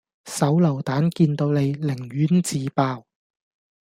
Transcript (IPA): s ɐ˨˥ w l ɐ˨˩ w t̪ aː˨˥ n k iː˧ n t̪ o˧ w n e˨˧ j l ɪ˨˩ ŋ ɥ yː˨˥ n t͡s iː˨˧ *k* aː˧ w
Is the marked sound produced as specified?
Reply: no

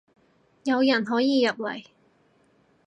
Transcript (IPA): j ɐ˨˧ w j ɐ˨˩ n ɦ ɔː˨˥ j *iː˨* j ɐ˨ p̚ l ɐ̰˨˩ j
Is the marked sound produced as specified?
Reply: yes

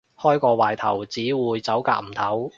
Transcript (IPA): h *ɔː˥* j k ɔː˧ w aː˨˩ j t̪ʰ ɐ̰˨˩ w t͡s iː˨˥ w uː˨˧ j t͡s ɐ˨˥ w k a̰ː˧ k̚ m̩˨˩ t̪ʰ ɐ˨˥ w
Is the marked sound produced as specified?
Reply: yes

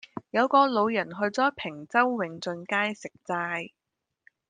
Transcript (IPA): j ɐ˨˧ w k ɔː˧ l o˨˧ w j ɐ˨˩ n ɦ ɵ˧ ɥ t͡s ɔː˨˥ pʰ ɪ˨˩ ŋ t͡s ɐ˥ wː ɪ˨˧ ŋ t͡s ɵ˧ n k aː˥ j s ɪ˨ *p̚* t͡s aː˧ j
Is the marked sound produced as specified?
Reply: no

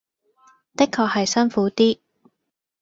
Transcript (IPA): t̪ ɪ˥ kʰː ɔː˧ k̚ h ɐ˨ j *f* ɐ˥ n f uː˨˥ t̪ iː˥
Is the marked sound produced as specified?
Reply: no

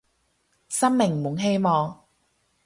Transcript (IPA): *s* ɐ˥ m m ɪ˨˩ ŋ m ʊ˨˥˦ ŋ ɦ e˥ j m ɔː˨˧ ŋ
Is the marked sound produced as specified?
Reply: yes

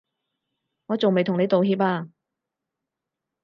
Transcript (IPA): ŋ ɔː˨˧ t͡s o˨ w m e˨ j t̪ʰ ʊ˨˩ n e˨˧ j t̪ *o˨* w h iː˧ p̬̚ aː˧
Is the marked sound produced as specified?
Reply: yes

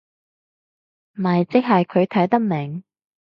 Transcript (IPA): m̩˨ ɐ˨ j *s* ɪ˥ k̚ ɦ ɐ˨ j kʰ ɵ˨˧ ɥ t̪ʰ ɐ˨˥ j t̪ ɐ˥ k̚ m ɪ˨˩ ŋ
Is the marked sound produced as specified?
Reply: no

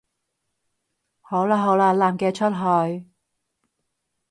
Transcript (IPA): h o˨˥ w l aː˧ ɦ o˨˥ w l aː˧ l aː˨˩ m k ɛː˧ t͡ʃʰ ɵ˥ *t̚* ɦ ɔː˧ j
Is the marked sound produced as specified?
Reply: yes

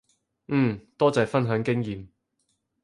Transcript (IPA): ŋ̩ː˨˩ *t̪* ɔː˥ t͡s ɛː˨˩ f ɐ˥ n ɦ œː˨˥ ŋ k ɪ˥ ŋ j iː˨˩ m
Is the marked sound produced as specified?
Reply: yes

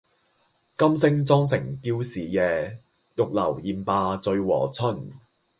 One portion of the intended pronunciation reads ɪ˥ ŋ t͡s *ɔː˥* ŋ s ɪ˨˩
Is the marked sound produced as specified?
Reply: yes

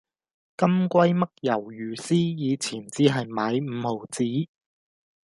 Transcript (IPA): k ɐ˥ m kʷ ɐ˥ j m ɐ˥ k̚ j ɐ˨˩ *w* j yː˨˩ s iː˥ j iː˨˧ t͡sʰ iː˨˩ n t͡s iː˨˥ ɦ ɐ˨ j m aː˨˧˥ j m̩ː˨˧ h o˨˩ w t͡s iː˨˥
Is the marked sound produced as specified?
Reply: yes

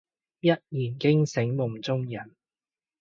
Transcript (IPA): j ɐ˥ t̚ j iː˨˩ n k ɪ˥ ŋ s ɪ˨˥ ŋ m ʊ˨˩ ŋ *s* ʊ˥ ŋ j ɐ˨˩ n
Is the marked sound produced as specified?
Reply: no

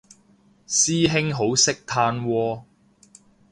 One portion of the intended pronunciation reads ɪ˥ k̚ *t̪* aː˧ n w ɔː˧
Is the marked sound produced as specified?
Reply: no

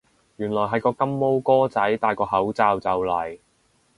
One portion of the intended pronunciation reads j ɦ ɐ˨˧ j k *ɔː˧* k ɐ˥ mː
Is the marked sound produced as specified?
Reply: yes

